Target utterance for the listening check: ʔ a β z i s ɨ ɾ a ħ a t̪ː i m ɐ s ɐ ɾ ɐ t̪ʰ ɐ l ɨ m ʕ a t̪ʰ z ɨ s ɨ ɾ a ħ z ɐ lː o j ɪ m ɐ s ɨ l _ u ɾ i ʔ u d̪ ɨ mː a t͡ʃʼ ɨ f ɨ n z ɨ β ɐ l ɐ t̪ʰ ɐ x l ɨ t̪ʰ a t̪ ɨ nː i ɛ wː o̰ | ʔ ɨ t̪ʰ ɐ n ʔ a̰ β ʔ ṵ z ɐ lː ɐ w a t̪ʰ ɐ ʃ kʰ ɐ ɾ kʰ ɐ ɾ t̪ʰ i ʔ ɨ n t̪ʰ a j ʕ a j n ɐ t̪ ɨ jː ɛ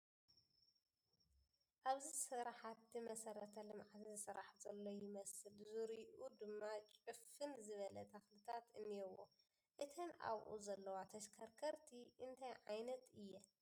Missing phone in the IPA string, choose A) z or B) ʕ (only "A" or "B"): A